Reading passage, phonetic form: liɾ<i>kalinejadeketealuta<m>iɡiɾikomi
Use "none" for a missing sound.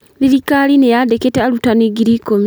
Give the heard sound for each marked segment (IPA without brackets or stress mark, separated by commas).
i, n